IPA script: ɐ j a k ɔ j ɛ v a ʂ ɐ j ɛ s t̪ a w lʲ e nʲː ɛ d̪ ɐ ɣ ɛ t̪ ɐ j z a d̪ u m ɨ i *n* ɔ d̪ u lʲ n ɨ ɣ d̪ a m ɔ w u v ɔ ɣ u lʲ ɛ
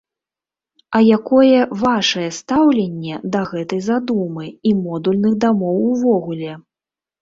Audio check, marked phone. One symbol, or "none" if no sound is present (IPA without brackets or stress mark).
m